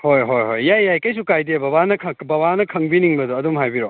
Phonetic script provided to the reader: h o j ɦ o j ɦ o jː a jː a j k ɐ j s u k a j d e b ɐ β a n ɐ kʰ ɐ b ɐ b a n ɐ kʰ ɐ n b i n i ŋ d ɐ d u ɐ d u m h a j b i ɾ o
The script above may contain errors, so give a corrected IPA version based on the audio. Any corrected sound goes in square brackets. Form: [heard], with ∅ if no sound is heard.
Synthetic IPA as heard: h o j ɦ o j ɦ o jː a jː a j k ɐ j s u k a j d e b ɐ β a n ɐ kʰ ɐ b ɐ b a n ɐ kʰ ɐ [ŋ] b i n i ŋ [b] ɐ d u ɐ d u m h a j b i ɾ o